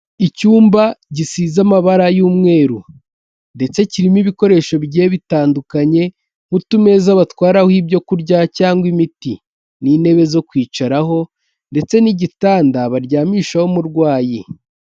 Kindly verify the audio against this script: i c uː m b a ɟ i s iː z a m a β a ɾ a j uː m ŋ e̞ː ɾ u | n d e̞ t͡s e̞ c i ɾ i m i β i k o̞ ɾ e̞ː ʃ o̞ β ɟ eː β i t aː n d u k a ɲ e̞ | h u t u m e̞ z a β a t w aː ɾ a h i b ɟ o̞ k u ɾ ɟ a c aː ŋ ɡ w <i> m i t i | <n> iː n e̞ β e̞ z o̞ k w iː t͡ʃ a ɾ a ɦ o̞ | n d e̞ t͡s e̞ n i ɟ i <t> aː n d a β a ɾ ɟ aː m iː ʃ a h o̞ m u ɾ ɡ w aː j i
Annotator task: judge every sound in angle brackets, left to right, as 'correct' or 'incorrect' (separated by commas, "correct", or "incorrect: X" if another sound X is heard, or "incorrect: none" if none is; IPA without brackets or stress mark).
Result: correct, correct, correct